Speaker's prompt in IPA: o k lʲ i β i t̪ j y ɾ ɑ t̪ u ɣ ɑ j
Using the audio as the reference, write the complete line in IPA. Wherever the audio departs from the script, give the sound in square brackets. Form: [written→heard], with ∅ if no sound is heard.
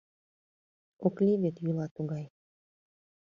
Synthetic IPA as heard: o k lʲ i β [i→e] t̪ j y [ɾ→l] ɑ t̪ u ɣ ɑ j